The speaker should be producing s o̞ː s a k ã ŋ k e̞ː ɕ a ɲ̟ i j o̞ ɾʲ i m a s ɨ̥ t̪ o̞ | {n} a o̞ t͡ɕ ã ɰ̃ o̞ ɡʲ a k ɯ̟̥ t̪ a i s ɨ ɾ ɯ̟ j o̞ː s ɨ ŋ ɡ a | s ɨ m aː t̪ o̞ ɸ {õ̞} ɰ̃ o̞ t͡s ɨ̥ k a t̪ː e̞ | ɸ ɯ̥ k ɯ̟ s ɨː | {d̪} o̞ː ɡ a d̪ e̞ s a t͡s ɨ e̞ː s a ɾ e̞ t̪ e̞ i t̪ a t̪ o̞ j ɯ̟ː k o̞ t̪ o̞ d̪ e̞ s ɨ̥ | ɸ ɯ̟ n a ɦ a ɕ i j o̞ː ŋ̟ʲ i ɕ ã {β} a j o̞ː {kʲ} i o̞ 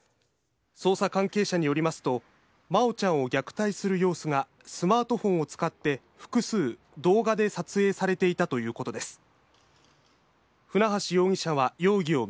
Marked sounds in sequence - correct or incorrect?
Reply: incorrect, correct, correct, correct, incorrect

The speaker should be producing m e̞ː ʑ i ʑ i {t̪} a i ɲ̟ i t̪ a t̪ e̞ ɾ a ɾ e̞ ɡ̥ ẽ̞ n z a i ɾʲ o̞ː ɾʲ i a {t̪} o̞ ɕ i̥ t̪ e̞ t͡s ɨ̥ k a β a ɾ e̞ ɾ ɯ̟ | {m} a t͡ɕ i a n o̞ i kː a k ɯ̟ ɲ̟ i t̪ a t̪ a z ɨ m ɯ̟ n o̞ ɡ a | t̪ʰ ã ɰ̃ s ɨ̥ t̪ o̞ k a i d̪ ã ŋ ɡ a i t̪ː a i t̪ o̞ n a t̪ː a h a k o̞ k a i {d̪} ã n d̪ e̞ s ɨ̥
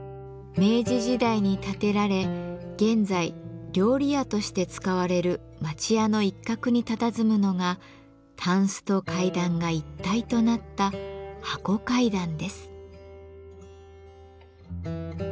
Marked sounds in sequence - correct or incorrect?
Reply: incorrect, correct, correct, correct

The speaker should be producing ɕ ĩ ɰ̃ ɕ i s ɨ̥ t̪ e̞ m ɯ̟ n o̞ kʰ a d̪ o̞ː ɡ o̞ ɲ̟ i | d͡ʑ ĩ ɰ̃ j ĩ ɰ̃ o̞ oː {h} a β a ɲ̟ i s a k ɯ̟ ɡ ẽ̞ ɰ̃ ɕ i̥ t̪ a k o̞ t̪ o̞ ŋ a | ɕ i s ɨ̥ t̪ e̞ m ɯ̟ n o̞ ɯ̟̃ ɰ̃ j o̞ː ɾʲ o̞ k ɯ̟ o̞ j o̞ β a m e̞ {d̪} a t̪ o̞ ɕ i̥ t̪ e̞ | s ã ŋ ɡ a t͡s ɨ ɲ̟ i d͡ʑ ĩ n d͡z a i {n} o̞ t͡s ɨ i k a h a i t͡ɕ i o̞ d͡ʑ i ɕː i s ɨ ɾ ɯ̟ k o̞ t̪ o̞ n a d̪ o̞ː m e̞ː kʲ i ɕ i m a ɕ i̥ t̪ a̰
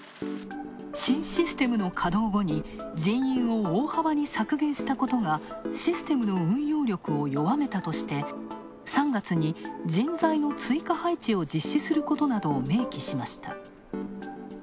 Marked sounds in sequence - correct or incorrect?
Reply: correct, incorrect, correct

